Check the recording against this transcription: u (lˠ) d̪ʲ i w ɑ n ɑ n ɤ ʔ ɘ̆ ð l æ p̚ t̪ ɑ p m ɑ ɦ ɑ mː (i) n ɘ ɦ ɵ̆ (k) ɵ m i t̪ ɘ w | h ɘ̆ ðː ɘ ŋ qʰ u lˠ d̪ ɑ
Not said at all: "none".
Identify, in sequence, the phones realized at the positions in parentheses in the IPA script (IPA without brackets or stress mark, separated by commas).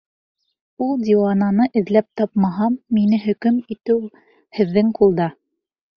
lˠ, i, k